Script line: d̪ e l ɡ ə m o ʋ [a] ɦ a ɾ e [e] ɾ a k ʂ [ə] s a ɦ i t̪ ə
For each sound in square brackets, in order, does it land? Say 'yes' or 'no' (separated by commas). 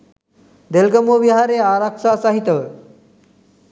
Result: no, no, no